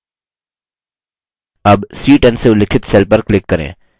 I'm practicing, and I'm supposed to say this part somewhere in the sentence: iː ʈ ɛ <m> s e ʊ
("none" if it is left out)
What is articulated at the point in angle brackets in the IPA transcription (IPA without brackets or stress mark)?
n